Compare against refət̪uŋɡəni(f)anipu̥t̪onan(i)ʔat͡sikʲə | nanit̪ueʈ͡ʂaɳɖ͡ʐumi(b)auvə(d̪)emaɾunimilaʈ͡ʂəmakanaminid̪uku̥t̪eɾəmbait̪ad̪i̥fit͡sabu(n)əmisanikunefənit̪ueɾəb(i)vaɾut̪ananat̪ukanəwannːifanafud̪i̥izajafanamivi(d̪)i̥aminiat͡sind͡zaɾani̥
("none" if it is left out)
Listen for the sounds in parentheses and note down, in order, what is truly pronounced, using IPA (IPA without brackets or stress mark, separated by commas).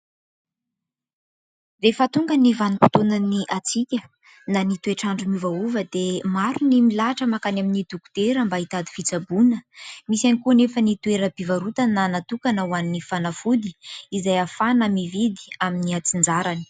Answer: v, i, v, d̪, n, i, d̪